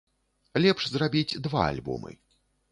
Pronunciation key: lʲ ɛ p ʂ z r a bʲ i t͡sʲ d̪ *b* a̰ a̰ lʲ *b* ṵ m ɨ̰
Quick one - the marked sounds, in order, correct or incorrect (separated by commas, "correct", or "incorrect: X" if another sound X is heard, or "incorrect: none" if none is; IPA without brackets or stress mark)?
incorrect: v, correct